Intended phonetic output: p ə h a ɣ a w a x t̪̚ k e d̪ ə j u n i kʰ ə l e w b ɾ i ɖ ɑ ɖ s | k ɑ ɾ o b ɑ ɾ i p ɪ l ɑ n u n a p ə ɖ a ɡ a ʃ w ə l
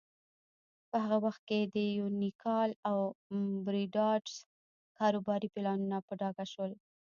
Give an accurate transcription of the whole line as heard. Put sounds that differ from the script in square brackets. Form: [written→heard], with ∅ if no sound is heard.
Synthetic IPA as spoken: p ə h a ɣ a w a x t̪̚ k e d̪ ə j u n i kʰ [ə→ɑ] l [e→a] w b ɾ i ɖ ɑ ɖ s | k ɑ ɾ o b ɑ ɾ i p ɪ l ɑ n u n a p ə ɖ [a→ɑ] ɡ a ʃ w ə l

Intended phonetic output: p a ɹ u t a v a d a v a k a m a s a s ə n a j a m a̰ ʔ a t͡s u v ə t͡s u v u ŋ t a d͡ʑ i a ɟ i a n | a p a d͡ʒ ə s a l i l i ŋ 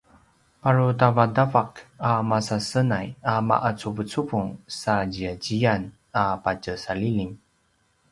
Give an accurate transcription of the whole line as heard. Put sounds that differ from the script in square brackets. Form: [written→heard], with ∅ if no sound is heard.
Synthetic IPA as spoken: p a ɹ u t a v a d a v a k a m a s a s ə n a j a m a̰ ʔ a t͡s u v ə t͡s u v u ŋ [t→s] a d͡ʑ i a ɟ i a n | a p a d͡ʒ ə s a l i l i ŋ

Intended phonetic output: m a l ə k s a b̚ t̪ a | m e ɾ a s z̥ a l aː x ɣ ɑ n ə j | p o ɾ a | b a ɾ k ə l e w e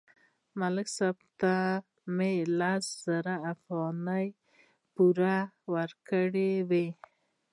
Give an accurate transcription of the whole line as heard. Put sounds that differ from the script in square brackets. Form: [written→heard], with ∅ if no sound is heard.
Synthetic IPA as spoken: m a l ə k s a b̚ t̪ a | m e [ɾ→l] a s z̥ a [l→ɾ] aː [x→f] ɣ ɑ n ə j | p [o→u] ɾ a | [b→w] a ɾ k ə [l→ɽ] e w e

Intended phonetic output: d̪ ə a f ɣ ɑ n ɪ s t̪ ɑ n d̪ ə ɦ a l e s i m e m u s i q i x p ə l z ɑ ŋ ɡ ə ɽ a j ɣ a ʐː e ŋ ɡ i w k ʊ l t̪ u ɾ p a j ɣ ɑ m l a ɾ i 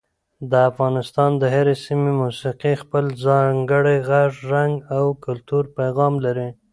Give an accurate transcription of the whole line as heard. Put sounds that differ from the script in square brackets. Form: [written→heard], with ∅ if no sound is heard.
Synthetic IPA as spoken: d̪ ə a f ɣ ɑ n ɪ s t̪ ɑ n d̪ ə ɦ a [l→ɾ] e s i m e m u s i q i x p ə l z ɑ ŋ ɡ ə ɽ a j ɣ a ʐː [e→a] ŋ ɡ [i→a] w k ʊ l t̪ u ɾ p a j ɣ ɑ m l a ɾ i

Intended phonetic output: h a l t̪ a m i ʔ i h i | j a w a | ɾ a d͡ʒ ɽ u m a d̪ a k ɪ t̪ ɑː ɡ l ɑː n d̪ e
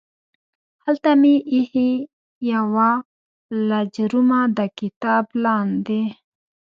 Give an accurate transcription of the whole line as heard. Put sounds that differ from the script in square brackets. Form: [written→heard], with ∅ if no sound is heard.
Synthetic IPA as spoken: h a l t̪ a m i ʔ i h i | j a w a | [ɾ→l] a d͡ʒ [ɽ→ɾ] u m a d̪ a k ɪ t̪ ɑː [ɡ→b] l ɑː n d̪ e

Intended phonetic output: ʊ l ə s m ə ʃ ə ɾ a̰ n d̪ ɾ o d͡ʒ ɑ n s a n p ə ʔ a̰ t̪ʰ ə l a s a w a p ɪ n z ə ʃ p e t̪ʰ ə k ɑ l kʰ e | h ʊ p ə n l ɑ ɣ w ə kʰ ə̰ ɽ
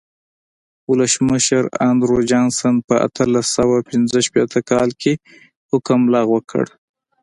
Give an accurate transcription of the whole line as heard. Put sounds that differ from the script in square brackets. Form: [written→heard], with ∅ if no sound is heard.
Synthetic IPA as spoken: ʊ l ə s m ə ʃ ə ɾ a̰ n d̪ ɾ o d͡ʒ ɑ n s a n p ə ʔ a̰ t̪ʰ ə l a s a w a p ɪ n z ə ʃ p e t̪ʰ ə k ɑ l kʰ e | h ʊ [p→k] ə [n→m] l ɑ ɣ w ə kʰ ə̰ ɽ

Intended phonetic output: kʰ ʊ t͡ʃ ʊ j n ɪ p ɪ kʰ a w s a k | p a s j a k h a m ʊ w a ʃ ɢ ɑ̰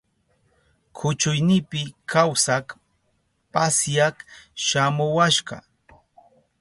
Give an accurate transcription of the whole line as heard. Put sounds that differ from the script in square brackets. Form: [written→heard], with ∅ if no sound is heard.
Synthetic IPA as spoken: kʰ ʊ t͡ʃ ʊ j n ɪ p ɪ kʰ a w s a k | p a s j a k [h→ʃ] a m ʊ w a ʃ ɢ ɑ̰

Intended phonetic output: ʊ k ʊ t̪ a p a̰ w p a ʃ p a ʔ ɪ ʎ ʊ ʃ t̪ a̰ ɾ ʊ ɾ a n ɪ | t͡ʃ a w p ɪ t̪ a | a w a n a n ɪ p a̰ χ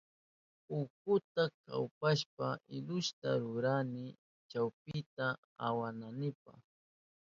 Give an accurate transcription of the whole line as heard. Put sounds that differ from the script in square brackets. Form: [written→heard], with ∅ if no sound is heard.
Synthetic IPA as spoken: ʊ k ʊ t̪ a [p→k] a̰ w p a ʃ p a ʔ ɪ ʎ ʊ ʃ t̪ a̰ ɾ ʊ ɾ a n ɪ | t͡ʃ a w p ɪ t̪ a | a w a n a n ɪ p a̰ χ

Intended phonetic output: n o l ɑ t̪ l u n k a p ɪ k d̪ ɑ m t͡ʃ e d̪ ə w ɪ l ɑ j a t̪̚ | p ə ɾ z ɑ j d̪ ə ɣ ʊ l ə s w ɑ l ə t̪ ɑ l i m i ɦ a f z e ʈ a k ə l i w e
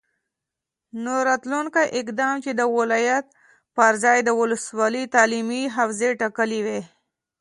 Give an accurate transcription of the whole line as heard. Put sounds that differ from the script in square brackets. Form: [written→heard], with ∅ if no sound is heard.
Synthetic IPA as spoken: n o [l→ɾ] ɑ t̪ l u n k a [p→ʔ] ɪ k d̪ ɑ m t͡ʃ e d̪ ə w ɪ l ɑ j a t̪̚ | p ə ɾ z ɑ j d̪ ə [ɣ→w] ʊ l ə s w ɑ l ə t̪ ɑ l i m i ɦ a f z e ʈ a k ə l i w e

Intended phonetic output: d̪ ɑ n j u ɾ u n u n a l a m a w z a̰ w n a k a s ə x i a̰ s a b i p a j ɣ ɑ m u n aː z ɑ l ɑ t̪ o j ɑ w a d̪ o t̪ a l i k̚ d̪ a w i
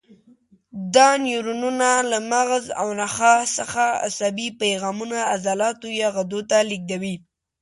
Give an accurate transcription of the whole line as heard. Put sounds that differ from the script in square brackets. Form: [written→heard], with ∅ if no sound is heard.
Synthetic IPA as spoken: d̪ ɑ n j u ɾ u n u n a l a m a [w→ɣ] z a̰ w n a [k→x] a s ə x [i→a] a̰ s a b i p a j ɣ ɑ m u n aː z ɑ l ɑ t̪ o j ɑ [w→ɣ] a d̪ o t̪ a l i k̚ d̪ a w i

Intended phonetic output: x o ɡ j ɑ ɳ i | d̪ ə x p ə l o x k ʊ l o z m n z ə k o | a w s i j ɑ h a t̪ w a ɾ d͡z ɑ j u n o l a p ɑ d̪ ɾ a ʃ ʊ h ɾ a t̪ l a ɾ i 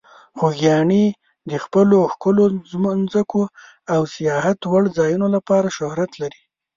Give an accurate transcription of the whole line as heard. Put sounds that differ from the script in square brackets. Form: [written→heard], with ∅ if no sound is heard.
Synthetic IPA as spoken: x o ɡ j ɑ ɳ i | d̪ ə x p ə l o x k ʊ l o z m n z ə k o | a w s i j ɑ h a t̪ w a [ɾ→ɽ] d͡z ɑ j u n o l a p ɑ [d̪→∅] ɾ a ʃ ʊ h ɾ a t̪ l a ɾ i

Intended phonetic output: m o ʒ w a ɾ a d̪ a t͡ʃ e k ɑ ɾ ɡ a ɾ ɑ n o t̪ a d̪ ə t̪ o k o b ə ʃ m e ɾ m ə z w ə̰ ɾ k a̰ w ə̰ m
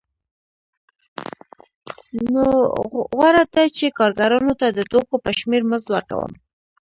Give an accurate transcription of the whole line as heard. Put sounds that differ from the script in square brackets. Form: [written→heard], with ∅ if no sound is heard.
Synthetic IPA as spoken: [m→n] o [ʒ→ɣ] w a ɾ a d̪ a t͡ʃ e k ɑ ɾ ɡ a ɾ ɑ n o t̪ a d̪ ə t̪ o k o [b→p] ə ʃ m e ɾ m ə z w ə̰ ɾ k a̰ w ə̰ m

